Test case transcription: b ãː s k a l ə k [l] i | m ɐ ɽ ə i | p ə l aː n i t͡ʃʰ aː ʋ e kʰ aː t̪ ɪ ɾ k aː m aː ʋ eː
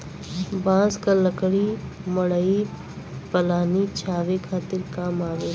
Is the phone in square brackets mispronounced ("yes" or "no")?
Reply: yes